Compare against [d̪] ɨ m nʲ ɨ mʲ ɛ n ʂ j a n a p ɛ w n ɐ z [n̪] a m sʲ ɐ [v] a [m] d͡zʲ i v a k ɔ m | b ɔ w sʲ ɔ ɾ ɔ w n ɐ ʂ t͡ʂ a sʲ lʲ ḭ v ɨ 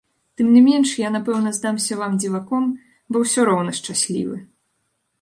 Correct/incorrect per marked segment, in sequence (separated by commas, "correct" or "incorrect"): incorrect, incorrect, correct, correct